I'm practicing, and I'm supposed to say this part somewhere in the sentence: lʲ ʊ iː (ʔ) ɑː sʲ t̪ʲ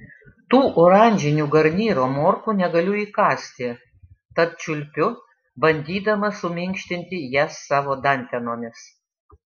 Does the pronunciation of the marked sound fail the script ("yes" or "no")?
yes